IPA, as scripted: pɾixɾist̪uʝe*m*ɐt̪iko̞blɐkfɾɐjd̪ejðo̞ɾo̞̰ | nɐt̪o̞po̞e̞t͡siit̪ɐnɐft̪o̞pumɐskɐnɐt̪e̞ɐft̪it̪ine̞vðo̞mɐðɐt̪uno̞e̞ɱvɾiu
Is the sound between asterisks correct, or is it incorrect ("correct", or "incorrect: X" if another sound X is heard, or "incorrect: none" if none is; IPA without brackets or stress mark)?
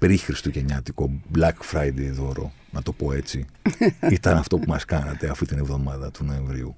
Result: incorrect: ɲ